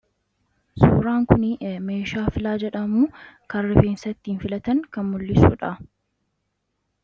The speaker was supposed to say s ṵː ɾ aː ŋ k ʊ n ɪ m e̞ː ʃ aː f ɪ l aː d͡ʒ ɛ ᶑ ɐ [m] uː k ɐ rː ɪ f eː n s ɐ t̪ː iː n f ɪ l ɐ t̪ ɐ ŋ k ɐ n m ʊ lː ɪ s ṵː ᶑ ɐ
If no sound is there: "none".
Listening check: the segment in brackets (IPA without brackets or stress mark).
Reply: m